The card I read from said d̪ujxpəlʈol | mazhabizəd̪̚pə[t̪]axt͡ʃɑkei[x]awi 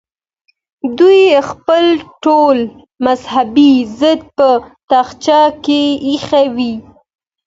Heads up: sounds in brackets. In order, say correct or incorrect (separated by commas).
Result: correct, correct